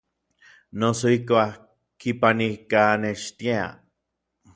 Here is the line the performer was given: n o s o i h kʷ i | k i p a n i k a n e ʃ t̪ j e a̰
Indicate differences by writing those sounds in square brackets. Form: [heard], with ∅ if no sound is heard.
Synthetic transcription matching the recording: n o s o i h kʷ [a] | k i p a n i k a n e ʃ t̪ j e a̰